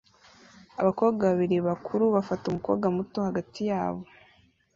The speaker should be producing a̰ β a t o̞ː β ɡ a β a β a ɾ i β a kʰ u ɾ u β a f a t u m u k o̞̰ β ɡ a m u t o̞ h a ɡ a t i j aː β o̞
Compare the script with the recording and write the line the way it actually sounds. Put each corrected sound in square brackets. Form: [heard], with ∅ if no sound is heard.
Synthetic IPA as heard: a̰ β a [k] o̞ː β ɡ a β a β [i] ɾ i β a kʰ u ɾ u β a f a t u m u k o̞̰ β ɡ a m u t o̞ h a ɡ a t i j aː β o̞